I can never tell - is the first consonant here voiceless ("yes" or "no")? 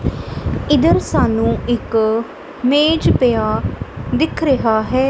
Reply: no